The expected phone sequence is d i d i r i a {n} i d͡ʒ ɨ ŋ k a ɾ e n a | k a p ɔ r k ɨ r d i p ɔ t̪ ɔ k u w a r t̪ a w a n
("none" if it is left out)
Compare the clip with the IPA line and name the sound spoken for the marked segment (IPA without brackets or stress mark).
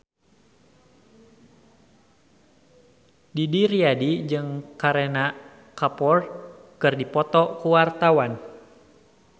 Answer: d